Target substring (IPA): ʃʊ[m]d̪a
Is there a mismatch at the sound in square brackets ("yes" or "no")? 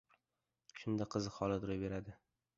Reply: yes